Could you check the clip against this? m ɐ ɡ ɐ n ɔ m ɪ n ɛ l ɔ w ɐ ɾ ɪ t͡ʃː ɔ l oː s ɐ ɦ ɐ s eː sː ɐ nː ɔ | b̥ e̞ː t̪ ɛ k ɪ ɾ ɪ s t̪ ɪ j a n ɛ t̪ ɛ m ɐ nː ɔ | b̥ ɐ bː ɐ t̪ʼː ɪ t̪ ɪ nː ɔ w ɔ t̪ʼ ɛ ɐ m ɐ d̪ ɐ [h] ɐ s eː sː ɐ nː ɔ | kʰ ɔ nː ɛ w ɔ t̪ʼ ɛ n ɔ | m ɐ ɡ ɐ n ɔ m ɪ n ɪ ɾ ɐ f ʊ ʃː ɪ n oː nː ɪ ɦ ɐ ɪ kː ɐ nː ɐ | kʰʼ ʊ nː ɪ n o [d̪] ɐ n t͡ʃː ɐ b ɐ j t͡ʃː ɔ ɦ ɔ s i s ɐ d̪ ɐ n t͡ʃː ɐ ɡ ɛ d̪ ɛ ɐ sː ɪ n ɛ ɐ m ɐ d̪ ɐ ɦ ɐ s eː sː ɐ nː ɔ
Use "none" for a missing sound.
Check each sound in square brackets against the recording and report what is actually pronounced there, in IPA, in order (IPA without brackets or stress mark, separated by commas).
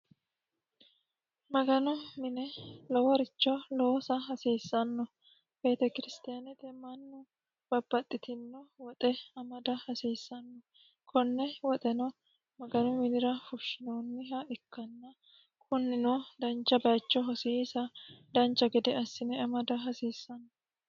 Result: h, d̪